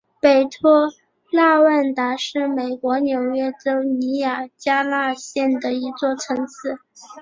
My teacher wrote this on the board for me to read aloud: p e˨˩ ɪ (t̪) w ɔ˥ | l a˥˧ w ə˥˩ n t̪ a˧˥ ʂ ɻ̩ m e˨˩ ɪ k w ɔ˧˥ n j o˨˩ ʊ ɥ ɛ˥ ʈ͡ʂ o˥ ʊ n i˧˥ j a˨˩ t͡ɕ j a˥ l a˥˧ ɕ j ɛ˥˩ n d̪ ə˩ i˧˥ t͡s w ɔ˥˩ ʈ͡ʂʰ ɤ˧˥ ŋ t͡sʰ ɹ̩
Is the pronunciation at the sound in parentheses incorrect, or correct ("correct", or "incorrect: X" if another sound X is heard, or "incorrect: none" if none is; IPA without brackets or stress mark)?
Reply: incorrect: t̪ʰ